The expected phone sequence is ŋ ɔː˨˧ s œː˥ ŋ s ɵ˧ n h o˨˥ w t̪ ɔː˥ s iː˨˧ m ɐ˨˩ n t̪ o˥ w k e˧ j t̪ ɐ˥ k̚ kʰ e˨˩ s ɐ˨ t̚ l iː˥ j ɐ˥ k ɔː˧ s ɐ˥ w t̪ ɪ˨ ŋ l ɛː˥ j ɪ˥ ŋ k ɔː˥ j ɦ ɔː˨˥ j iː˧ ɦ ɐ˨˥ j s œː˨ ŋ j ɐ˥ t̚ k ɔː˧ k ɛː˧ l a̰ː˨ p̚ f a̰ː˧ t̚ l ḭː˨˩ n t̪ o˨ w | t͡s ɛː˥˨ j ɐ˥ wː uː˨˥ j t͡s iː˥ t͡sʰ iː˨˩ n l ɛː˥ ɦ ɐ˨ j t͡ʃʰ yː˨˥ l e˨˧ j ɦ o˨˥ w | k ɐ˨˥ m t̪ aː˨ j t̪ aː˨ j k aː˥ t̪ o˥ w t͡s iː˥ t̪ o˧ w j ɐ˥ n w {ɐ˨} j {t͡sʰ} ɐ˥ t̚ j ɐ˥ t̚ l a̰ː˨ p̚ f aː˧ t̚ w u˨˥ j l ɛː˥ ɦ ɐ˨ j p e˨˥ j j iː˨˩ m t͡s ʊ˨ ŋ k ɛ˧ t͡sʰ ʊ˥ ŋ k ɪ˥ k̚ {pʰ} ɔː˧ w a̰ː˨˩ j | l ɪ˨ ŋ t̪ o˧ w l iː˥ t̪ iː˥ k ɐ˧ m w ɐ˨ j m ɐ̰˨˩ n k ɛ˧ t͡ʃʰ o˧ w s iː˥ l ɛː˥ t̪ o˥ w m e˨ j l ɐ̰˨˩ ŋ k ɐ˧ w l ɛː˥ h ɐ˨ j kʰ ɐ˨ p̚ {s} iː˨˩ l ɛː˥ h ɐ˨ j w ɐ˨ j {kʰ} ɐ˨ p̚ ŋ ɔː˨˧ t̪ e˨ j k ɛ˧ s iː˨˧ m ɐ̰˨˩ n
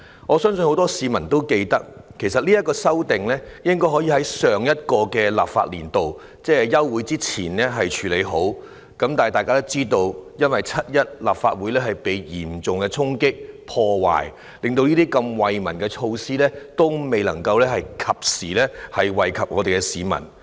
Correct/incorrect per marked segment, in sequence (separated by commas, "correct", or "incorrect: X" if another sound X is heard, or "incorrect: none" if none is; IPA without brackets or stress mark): correct, correct, correct, correct, correct